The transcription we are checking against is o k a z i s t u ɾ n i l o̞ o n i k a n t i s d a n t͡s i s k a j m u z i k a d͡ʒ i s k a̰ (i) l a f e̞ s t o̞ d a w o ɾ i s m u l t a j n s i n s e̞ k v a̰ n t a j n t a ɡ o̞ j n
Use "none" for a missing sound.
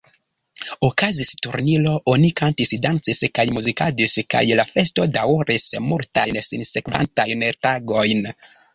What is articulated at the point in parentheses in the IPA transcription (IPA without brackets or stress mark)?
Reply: j